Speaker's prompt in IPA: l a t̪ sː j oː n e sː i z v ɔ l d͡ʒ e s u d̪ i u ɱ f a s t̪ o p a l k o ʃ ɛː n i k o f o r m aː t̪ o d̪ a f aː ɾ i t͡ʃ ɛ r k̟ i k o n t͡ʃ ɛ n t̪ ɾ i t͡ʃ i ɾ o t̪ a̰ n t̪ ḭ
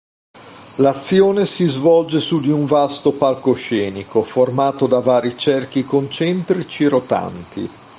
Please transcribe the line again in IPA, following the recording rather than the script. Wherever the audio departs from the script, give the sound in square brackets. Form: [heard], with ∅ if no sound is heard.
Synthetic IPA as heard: l a t̪ sː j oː n e [s] i z v ɔ l d͡ʒ e s u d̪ i u ɱ [v] a s t̪ o p a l k o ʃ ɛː n i k o f o r m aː t̪ o d̪ a [v] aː ɾ i t͡ʃ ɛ r k̟ i k o n t͡ʃ ɛ n t̪ ɾ i t͡ʃ i ɾ o t̪ a̰ n t̪ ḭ